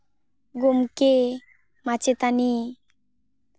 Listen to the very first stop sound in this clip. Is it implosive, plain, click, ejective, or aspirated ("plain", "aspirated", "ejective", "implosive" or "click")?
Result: plain